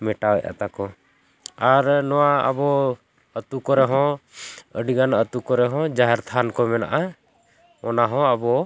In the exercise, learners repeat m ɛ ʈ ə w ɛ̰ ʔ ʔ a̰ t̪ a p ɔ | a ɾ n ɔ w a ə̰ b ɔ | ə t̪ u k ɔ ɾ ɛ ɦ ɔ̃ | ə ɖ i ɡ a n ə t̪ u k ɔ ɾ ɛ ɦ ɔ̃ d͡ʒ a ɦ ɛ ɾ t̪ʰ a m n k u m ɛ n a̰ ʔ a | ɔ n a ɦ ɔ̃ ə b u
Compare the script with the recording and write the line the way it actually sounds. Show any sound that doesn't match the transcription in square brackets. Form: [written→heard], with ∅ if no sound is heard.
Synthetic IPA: m ɛ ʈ [ə→a] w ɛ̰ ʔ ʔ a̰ t̪ a [p→k] ɔ | a ɾ n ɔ w a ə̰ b ɔ | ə t̪ u k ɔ ɾ ɛ ɦ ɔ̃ | ə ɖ i ɡ a n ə t̪ u k ɔ ɾ ɛ ɦ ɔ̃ d͡ʒ a ɦ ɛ ɾ t̪ʰ a [m→∅] n k [u→ɔ] m ɛ n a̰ ʔ a | ɔ n a ɦ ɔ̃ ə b [u→ɔ]